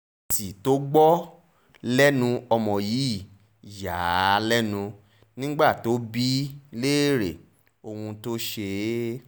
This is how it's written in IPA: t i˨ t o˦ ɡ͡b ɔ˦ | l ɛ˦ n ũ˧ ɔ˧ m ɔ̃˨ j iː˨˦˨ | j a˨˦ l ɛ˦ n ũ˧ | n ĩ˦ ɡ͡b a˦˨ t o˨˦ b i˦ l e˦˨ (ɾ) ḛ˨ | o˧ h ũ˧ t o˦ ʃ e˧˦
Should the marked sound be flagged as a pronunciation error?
no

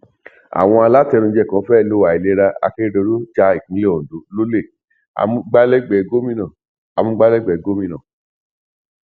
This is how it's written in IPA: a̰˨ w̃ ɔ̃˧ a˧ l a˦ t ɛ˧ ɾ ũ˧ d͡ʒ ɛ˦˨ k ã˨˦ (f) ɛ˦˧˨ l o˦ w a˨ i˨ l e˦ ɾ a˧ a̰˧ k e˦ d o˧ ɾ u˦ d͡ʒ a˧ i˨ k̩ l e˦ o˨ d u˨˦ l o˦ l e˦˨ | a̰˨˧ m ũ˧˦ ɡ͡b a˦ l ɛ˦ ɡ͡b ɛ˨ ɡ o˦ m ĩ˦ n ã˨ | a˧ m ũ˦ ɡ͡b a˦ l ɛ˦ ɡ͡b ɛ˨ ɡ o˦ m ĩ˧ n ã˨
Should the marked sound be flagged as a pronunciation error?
no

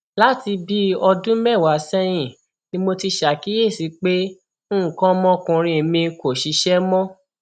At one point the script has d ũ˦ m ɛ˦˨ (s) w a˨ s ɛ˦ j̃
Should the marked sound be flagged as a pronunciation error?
yes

